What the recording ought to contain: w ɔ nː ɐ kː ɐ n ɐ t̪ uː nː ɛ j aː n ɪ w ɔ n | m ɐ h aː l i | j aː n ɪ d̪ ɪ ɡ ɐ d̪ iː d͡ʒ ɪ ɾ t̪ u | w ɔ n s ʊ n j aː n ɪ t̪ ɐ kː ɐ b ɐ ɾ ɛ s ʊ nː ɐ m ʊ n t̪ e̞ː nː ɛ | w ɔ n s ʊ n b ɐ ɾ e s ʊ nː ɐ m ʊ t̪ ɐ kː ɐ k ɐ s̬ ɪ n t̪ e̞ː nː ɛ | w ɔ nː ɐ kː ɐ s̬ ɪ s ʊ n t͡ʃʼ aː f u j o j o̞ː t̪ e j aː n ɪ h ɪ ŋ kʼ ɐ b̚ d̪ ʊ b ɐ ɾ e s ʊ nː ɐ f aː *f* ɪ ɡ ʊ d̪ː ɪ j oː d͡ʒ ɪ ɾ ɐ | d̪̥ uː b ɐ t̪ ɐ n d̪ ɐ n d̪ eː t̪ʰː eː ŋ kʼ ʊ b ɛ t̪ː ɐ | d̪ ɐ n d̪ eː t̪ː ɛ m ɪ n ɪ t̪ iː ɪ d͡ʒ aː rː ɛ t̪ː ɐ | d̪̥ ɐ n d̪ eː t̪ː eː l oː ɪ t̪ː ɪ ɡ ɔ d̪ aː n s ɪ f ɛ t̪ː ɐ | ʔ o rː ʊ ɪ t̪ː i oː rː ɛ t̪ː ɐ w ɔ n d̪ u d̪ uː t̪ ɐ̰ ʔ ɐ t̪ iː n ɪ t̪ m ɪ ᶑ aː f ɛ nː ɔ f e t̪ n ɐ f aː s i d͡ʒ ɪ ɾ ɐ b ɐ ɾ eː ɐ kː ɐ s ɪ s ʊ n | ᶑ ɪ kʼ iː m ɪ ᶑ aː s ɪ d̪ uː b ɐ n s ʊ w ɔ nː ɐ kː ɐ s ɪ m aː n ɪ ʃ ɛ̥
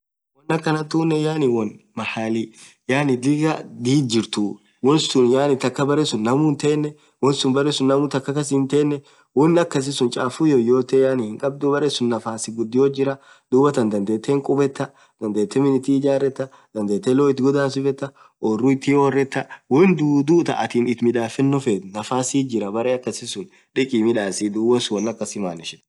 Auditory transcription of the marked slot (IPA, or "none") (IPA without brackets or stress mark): s